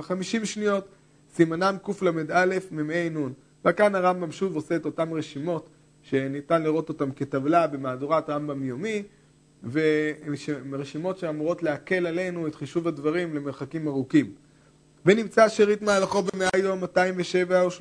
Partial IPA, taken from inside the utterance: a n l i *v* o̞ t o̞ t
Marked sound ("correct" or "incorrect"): incorrect